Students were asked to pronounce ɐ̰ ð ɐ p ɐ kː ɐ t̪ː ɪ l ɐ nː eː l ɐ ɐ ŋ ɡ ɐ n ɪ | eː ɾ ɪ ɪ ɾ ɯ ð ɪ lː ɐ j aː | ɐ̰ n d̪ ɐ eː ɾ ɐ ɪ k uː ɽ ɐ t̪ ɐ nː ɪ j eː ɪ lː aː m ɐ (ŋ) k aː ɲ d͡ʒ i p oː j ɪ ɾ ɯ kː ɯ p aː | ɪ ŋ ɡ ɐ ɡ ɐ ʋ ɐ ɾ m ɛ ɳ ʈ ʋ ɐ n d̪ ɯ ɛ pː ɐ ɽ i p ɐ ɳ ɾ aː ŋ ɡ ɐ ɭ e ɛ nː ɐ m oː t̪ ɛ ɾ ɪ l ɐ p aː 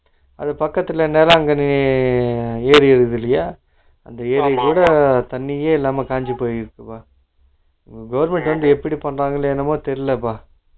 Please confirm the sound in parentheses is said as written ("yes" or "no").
no